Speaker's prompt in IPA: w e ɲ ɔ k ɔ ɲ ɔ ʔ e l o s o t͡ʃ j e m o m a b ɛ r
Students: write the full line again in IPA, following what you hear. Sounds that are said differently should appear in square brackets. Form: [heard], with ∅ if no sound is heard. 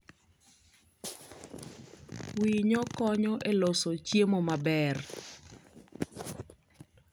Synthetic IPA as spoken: w [i] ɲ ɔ k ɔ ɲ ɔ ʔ e l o s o t͡ʃ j e m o m a b ɛ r